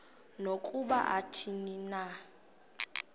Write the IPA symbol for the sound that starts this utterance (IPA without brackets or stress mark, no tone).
n